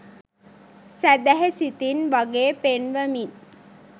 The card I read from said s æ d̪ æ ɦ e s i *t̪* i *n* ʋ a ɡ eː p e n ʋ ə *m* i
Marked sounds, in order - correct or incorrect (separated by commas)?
correct, correct, correct